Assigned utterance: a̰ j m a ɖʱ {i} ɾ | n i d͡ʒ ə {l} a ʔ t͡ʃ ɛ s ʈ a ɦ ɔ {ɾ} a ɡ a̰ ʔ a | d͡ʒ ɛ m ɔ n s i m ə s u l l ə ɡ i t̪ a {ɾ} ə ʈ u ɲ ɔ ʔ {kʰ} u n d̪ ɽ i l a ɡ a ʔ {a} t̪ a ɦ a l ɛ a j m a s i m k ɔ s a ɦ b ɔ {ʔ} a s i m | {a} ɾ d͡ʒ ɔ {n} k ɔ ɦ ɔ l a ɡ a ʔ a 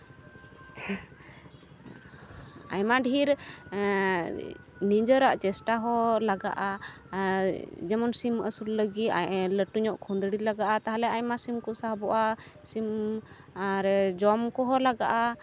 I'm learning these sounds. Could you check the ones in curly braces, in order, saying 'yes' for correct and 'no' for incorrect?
yes, no, no, no, yes, yes, yes, yes, no

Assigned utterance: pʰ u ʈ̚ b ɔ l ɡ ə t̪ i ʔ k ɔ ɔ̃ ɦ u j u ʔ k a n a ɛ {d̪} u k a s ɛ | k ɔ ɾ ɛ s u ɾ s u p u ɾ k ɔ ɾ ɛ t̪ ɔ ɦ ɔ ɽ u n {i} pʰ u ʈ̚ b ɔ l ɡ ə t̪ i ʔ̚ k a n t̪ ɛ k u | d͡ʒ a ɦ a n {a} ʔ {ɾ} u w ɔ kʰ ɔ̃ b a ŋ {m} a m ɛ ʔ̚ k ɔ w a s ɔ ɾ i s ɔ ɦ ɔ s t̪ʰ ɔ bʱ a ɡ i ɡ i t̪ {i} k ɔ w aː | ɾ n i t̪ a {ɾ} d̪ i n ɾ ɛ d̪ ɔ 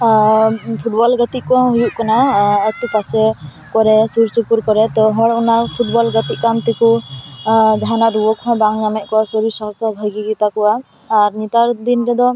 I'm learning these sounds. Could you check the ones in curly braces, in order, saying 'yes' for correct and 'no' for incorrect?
no, no, yes, yes, no, no, yes

